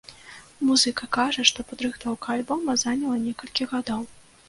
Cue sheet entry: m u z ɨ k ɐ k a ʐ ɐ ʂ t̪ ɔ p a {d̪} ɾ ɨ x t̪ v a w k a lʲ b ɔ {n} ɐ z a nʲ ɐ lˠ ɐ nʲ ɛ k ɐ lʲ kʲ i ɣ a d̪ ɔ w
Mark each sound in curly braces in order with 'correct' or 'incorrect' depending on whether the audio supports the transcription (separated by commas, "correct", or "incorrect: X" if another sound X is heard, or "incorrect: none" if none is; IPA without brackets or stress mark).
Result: correct, incorrect: m